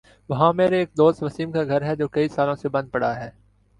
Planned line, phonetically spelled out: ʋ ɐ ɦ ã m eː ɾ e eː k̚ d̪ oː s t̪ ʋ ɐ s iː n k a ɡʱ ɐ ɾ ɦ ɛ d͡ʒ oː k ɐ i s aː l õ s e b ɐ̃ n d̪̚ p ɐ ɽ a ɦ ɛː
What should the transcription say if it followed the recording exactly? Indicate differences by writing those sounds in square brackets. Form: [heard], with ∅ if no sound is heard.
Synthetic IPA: ʋ ɐ ɦ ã m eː ɾ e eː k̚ d̪ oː s t̪ ʋ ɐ s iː [m] k a ɡʱ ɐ ɾ ɦ ɛ d͡ʒ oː k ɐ i s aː l õ s e b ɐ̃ n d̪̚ p ɐ ɽ a ɦ ɛː